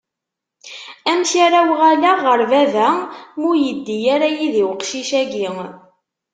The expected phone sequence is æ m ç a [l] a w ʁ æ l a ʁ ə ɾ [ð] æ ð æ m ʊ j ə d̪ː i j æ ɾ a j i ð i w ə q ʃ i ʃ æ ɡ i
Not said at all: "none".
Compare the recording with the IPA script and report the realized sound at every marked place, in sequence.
ɾ, v

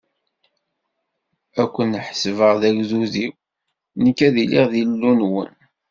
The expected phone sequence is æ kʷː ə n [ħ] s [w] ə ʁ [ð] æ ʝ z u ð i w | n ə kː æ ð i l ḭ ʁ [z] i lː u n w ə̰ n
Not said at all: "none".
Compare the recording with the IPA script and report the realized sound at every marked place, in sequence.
ħ, v, ð, ð

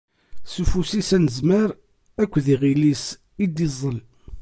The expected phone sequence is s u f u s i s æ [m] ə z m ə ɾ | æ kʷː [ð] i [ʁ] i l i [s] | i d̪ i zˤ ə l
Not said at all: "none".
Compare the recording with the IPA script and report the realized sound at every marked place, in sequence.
n, ð, ʁ, s

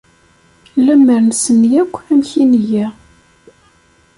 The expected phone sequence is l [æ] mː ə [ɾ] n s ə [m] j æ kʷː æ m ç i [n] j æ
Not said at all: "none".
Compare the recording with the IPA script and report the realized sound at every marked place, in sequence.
æ, ɾ, n, n

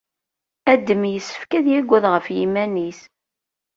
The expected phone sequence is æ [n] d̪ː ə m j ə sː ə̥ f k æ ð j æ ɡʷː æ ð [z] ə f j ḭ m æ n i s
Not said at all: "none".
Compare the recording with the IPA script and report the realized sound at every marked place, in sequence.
none, ʁ

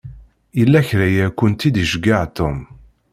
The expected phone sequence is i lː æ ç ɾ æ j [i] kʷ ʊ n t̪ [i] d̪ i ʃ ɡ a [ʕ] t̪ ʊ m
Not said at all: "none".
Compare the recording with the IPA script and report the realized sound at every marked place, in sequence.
æ, i, ʕ

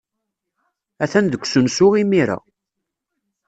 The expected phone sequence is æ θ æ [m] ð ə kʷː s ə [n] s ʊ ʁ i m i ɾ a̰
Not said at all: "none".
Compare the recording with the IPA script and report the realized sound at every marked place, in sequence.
n, n

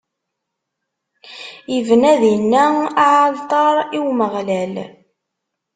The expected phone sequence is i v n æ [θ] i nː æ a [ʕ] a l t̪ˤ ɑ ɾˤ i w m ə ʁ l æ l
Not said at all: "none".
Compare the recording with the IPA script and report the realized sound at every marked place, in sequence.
ð, ʕ

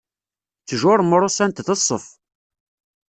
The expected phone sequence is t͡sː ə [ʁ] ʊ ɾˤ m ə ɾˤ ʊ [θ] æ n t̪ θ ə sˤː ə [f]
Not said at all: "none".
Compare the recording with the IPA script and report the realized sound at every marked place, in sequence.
ʒ, s, f

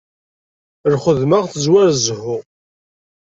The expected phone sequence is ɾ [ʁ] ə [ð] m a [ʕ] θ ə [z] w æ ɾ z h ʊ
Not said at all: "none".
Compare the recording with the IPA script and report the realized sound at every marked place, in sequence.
χ, ð, ʁ, z

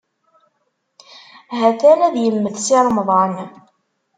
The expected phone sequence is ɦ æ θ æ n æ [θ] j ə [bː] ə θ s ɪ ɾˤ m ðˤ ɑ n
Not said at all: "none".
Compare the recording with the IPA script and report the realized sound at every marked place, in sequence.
ð, mː

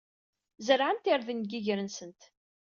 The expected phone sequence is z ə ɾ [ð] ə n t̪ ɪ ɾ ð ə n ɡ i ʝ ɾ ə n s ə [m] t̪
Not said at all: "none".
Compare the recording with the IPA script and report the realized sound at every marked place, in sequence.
ʕ, n

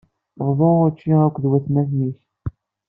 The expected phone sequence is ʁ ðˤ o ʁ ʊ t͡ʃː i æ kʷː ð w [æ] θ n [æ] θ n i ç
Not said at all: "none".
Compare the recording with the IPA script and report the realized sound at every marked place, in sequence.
æ, æ

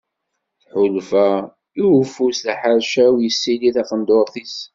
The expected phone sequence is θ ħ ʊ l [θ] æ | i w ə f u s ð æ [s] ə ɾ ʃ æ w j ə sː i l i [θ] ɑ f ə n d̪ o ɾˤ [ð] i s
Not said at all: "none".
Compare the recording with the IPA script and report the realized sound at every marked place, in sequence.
f, ħ, θ, θ

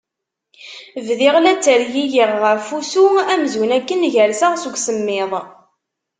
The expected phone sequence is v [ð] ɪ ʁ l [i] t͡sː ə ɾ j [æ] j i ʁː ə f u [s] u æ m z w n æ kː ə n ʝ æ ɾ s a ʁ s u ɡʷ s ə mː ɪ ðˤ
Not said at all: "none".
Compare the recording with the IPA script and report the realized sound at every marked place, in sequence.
ð, æ, i, s

